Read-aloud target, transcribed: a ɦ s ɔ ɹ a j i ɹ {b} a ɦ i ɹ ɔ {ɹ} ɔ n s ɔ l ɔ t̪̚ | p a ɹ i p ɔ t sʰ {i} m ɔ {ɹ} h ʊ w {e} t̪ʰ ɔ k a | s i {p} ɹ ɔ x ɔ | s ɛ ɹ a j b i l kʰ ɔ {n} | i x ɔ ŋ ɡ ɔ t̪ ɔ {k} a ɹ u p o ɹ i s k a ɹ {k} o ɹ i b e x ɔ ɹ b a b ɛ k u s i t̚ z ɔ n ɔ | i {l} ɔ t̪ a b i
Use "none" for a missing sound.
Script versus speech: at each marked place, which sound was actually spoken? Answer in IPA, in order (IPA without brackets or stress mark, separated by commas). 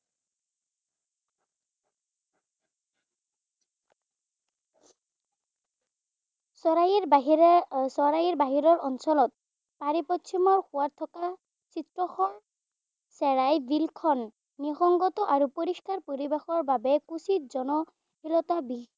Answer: b, ɹ, i, ɹ, a, t, nː, ʔ, p, l